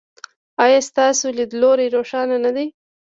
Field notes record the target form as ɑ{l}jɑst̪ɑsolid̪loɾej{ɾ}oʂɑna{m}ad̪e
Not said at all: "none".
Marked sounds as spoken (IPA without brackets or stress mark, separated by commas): none, ɾ, n